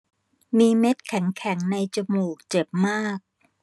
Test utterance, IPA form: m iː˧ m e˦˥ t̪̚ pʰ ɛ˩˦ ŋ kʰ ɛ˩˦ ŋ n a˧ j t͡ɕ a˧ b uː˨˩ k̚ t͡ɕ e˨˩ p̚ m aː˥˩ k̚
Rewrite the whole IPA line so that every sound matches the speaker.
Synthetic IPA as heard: m iː˧ m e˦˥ t̪̚ kʰ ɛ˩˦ ŋ kʰ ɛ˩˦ ŋ n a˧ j t͡ɕ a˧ m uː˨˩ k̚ t͡ɕ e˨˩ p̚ m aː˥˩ k̚